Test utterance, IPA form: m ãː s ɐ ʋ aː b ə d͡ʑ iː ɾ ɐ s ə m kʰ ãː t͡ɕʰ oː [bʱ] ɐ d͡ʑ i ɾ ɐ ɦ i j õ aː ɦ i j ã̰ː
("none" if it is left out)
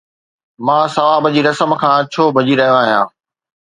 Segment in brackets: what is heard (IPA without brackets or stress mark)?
bʱ